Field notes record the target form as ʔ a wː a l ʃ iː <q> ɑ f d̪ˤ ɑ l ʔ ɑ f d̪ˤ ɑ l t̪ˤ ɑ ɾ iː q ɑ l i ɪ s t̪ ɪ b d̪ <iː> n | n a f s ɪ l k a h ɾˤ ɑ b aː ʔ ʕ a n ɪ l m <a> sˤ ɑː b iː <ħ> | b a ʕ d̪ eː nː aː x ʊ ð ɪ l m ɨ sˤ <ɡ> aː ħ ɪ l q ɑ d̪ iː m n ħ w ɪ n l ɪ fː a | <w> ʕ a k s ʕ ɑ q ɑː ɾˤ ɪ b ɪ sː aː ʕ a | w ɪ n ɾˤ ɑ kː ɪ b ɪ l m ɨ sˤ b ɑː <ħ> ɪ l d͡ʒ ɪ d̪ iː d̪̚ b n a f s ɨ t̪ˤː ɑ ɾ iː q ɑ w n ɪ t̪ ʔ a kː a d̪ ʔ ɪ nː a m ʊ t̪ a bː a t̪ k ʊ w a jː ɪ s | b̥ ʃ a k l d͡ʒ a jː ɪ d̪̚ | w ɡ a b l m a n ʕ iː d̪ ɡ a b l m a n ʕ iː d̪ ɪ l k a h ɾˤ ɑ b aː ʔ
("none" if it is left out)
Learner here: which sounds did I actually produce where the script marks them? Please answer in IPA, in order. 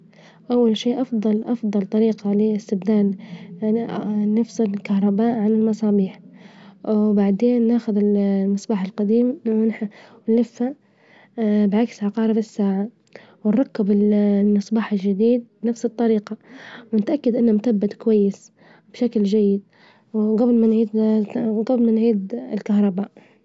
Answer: ʔ, aː, ɑ, ħ, b, b, ħ

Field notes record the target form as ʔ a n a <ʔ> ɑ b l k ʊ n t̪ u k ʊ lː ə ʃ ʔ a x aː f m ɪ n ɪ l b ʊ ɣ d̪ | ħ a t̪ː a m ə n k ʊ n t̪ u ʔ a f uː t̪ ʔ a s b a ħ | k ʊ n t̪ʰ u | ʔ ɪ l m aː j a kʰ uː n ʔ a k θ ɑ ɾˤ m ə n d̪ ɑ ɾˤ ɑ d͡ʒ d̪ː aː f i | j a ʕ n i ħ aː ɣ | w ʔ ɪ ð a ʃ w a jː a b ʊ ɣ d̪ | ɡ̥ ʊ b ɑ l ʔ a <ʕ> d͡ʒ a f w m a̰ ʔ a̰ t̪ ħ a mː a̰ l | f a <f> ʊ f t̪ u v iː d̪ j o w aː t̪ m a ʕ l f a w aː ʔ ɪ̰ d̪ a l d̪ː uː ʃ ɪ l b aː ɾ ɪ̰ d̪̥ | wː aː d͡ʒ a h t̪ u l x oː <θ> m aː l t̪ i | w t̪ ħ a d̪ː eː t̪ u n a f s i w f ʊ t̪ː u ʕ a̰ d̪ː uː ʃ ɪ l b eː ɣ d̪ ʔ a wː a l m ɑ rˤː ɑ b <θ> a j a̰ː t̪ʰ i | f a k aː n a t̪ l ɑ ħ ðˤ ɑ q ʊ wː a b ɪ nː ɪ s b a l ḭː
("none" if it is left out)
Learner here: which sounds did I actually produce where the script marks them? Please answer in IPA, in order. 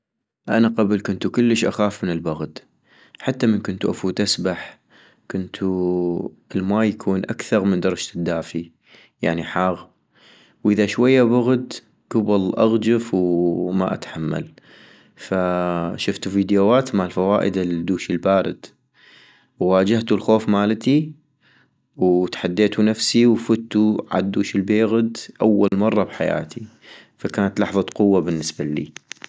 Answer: q, ɣ, ʃ, f, ħ

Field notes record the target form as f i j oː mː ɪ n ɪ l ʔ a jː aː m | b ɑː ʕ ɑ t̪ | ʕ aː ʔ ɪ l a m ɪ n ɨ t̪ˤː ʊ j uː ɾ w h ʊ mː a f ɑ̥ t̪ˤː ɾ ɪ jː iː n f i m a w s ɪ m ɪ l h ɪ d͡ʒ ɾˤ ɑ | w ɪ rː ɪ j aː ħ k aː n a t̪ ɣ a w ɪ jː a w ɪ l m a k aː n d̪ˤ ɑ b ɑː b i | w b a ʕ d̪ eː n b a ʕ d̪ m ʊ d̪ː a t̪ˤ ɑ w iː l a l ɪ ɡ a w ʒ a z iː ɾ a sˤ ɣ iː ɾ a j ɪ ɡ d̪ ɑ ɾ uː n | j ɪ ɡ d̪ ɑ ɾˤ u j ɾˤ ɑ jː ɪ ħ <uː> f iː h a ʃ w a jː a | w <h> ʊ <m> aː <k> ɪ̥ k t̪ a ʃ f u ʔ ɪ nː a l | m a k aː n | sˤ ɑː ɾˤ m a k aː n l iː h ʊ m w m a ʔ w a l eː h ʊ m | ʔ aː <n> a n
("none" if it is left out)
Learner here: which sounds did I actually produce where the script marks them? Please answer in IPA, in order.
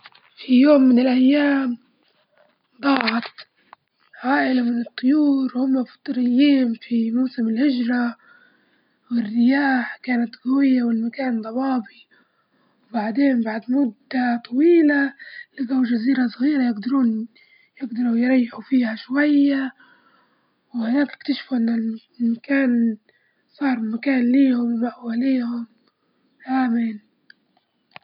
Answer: u, h, n, k, m

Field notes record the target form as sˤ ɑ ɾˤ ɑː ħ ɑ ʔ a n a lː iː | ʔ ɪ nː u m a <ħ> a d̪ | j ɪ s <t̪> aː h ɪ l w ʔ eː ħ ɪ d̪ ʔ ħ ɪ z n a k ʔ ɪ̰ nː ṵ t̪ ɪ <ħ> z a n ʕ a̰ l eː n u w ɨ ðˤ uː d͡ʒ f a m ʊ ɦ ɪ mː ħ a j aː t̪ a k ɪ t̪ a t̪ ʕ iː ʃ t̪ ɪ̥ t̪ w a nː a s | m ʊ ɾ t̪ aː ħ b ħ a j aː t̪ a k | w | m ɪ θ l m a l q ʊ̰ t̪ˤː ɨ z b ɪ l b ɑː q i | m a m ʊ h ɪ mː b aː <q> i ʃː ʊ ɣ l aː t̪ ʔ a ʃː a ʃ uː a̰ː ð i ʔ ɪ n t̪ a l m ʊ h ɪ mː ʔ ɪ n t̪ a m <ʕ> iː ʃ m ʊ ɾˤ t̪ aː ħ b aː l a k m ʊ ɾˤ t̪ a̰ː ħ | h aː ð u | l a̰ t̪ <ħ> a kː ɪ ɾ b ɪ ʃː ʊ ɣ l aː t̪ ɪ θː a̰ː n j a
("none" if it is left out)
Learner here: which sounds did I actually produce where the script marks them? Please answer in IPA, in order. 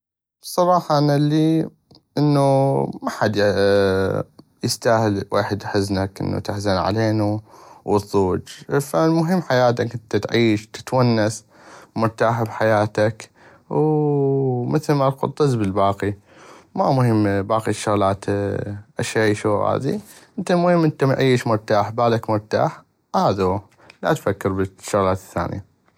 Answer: ħ, t̪, ħ, q, ʕ, f

